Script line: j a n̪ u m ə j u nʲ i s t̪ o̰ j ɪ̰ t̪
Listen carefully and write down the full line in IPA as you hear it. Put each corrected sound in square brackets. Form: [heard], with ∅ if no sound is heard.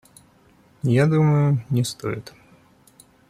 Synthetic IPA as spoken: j a [d̪] u m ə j [ʊ] nʲ [ɪ] s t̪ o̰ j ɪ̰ t̪